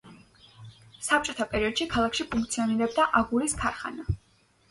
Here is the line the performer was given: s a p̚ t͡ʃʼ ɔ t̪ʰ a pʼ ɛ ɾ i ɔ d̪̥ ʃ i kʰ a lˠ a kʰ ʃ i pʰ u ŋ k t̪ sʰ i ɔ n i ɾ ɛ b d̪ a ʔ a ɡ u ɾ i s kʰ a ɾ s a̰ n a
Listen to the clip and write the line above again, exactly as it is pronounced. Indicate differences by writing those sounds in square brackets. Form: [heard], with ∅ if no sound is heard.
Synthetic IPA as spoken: s a p̚ t͡ʃʼ ɔ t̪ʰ a pʼ ɛ ɾ i ɔ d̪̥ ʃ i kʰ a lˠ a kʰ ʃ i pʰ u ŋ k t̪ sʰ i ɔ n i ɾ ɛ b d̪ a ʔ a ɡ u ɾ i s kʰ a ɾ [χ] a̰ n a